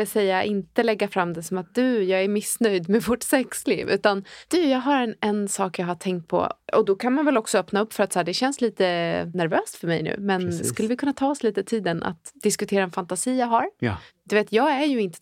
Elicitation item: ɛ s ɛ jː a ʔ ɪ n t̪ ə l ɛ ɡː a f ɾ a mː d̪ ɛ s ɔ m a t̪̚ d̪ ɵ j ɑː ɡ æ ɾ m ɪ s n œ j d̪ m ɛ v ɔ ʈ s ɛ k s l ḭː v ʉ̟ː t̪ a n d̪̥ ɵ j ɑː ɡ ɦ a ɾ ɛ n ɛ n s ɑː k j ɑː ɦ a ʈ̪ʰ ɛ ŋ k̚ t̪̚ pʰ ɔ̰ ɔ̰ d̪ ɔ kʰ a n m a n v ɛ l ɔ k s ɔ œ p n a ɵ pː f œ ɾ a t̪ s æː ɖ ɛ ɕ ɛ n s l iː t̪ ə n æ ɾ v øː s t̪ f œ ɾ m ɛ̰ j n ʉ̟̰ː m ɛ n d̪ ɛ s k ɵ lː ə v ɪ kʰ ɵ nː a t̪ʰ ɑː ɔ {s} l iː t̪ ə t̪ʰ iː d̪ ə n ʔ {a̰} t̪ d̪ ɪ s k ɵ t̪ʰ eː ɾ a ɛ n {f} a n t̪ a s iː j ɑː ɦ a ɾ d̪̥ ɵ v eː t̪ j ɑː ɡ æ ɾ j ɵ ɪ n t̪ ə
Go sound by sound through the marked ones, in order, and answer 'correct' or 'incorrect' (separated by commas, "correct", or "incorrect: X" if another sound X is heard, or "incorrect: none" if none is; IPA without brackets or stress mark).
correct, correct, correct